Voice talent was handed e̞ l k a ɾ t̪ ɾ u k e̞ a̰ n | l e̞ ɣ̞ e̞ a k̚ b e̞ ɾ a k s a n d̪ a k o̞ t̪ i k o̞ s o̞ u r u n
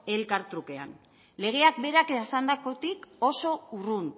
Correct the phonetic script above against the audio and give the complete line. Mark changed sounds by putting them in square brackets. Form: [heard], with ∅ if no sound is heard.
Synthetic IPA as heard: e̞ l k a ɾ t̪ ɾ u k e̞ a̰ n | l e̞ ɣ̞ e̞ a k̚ b e̞ ɾ a k s a n d̪ a k o̞ t̪ i k o̞ s o̞ u r u n